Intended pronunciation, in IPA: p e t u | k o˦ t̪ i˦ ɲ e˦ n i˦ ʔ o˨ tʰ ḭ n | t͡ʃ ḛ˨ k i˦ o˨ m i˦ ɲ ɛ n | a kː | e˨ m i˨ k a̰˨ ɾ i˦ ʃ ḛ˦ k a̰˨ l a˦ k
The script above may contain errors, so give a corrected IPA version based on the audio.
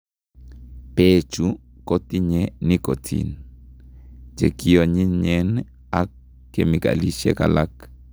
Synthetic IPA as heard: p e t͡ʃ u | k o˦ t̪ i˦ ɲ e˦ n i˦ k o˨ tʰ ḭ n | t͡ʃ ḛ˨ k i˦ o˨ ɲ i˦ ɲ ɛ n | a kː | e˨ m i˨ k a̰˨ l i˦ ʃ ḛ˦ k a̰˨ l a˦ k

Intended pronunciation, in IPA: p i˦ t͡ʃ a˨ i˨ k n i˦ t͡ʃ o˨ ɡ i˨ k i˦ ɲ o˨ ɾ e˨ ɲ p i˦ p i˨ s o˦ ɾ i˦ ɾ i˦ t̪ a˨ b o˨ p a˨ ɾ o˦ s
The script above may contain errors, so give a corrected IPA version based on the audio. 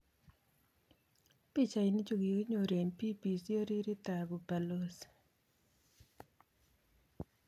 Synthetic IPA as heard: p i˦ t͡ʃ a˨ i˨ n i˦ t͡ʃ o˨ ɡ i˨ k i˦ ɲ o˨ ɾ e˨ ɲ p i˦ p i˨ s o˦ ɾ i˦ ɾ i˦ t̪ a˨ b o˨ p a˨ l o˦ s

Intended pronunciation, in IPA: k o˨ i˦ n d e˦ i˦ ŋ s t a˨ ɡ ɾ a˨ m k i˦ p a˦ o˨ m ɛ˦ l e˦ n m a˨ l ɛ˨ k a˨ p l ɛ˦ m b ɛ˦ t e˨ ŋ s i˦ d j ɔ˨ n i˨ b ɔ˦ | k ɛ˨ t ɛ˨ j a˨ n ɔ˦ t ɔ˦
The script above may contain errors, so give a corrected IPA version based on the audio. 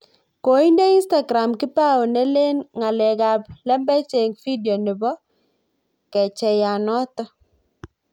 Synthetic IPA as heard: k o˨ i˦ n d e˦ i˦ n s t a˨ ɡ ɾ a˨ m k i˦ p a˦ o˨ n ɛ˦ l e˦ n ŋ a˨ l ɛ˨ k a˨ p l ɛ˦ m b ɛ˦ t͡ʃ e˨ ŋ f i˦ d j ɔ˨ n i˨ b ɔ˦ | k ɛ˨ t͡ʃ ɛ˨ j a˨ n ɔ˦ t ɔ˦

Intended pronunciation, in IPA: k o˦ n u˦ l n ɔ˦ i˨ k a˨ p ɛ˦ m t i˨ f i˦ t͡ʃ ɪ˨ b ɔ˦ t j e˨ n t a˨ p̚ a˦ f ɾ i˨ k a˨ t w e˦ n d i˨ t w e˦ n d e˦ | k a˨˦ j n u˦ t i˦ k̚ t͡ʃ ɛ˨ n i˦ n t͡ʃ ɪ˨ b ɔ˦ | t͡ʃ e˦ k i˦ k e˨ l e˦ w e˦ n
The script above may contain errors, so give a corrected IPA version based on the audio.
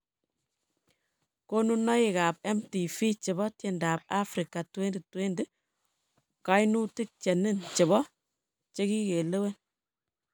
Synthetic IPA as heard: k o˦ n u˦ n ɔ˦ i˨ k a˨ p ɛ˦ m t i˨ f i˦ t͡ʃ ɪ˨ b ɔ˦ t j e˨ n d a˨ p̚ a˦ f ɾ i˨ k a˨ t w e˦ n d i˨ t w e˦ n d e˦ | k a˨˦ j n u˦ t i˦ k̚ t͡ʃ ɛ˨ n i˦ n t͡ʃ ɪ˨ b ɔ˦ | t͡ʃ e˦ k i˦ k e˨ l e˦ w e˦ n

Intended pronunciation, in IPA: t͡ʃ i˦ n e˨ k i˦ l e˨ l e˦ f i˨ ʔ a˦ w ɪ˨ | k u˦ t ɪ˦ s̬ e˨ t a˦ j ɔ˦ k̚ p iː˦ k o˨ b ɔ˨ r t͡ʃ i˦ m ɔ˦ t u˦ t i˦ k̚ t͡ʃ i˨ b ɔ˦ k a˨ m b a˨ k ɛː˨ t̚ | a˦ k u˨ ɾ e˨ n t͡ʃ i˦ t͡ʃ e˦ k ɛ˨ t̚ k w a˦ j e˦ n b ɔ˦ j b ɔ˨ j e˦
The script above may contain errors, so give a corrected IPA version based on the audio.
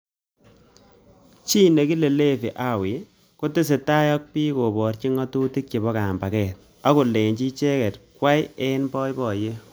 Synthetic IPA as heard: t͡ʃ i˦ n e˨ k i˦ l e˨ l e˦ f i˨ ʔ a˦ w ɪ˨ | k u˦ t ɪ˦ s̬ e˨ t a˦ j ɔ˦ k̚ p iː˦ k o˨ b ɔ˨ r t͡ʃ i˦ ŋ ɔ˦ t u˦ t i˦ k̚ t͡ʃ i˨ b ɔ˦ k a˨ m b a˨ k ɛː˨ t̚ | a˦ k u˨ l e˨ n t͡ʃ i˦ t͡ʃ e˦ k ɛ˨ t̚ k w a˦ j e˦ n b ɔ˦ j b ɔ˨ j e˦

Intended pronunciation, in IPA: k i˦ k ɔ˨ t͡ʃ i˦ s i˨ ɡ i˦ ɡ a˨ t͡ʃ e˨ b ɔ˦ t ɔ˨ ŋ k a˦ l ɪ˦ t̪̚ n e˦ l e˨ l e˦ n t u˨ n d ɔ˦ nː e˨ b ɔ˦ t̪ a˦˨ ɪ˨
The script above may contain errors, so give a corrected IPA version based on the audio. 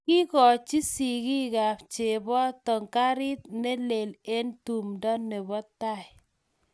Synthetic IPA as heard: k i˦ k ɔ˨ t͡ʃ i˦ s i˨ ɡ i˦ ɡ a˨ t͡ʃ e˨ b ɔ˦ t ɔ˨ ŋ k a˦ ɾ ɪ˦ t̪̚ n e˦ l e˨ l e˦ n t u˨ m d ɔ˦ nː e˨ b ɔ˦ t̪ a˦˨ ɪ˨

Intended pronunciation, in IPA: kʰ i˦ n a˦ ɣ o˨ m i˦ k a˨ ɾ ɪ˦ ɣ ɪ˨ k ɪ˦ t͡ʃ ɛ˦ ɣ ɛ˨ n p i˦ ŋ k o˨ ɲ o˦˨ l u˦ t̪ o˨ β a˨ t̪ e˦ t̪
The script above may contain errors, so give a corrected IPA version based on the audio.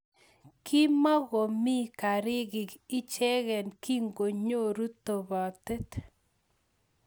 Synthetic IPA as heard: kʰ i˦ m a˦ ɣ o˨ m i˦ k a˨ ɾ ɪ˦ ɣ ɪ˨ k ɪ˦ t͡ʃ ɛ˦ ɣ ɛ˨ n k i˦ ŋ ɡ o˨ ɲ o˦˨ ɾ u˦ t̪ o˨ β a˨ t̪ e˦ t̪

